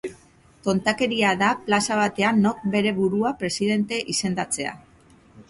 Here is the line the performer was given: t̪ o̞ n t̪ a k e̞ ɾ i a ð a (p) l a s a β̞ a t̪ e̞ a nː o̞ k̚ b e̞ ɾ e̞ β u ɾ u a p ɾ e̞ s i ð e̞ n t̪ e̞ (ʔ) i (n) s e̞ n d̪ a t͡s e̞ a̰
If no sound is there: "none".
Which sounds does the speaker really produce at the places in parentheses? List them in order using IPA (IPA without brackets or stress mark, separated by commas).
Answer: p, ʔ, none